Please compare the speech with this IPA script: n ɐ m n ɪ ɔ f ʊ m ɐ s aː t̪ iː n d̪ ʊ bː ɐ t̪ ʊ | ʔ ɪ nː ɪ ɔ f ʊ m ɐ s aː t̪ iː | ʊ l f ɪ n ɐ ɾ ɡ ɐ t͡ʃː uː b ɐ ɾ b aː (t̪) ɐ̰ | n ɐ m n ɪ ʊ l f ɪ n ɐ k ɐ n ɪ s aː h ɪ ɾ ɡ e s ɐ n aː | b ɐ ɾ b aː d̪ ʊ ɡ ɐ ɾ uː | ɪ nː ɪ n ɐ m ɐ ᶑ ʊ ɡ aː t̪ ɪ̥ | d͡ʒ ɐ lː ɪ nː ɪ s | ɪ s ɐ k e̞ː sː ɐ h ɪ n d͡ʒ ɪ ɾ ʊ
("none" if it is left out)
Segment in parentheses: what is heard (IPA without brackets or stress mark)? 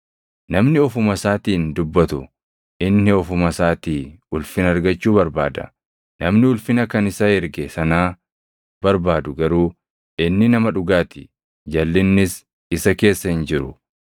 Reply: d̪